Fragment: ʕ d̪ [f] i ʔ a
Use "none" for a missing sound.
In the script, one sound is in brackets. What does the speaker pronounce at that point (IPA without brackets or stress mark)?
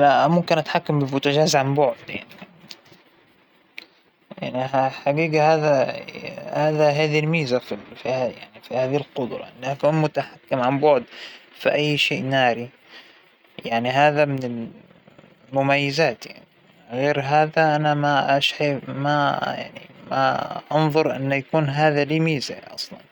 f